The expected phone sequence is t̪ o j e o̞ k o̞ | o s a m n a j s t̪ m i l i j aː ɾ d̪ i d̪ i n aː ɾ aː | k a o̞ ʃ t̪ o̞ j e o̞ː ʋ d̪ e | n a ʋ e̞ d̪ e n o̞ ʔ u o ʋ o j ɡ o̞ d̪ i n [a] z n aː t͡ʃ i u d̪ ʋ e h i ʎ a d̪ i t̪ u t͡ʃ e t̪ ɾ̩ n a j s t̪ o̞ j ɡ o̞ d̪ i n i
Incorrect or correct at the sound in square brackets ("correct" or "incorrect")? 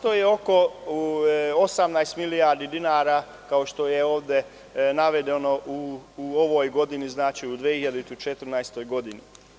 incorrect